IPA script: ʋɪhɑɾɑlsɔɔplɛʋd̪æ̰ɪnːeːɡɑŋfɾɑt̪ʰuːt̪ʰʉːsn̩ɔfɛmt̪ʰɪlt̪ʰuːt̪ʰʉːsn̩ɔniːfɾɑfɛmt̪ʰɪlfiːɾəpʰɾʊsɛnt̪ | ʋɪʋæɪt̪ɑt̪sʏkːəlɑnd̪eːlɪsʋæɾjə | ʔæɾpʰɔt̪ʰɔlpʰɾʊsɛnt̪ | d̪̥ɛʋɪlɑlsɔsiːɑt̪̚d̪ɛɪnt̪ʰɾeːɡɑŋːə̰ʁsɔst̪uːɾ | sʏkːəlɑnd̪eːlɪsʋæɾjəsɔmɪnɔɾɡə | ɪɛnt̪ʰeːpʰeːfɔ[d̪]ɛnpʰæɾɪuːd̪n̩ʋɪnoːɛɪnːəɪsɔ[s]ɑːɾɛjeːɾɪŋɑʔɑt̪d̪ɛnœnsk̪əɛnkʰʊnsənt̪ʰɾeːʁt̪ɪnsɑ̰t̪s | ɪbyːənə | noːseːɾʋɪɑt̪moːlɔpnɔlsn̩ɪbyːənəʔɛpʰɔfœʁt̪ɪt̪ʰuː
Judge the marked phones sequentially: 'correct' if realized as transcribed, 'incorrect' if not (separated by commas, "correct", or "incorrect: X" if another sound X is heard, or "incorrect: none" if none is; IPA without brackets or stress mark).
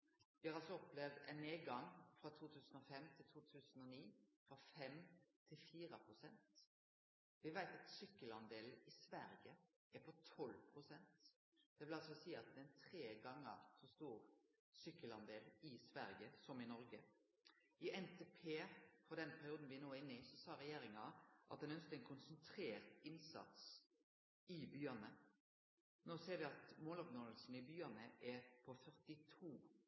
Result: correct, correct